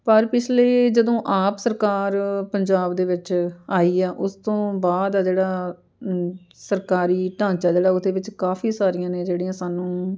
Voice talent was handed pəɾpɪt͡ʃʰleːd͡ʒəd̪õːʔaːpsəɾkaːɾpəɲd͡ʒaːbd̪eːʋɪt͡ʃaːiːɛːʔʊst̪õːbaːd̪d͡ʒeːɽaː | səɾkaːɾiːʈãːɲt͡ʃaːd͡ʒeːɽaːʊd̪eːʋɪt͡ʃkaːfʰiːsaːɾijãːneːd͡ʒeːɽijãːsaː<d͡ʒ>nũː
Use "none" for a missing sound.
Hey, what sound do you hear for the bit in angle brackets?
none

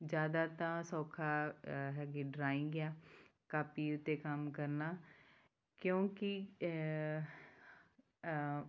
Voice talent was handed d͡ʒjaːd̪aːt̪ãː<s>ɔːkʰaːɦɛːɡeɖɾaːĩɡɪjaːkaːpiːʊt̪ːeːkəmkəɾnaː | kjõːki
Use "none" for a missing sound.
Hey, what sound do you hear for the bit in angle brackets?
s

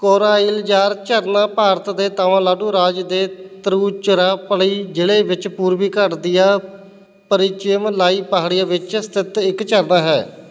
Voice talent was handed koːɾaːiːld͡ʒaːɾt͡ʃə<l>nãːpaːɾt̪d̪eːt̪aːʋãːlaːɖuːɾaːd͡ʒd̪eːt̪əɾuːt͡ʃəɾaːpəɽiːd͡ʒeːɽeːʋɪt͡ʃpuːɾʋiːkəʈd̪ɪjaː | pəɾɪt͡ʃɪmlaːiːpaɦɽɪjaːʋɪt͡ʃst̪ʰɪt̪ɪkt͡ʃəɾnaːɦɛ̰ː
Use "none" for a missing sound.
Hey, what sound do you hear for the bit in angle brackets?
ɾ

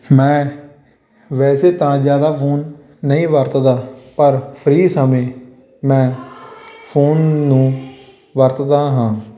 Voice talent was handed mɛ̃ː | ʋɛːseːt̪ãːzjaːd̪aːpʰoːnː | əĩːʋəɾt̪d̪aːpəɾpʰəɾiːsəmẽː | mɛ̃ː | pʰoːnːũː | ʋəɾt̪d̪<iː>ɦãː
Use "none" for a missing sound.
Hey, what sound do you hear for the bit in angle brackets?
aː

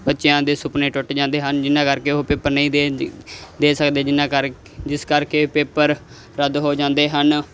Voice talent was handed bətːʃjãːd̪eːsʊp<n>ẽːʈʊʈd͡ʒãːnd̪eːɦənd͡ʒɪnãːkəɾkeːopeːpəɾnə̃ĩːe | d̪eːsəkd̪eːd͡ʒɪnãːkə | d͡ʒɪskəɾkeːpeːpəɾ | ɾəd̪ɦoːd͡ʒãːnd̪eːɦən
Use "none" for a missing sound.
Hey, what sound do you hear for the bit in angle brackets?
n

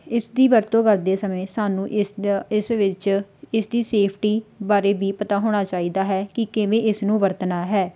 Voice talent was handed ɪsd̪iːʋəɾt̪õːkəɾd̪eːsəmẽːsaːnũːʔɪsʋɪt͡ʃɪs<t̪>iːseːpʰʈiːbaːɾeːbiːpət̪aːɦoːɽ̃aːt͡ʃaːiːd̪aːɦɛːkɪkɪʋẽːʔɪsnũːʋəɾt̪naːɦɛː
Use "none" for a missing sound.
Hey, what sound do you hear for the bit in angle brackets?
d̪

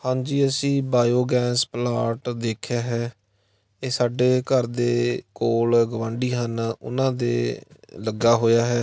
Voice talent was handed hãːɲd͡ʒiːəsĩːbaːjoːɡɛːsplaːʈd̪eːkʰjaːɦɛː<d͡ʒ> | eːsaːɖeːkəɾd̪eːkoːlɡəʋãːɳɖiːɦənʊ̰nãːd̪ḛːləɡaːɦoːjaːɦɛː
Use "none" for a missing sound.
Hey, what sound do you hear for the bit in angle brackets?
none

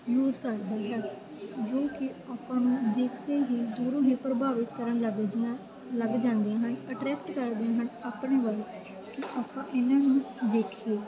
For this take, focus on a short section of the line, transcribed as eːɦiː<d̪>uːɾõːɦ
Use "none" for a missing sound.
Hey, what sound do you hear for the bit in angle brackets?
d̪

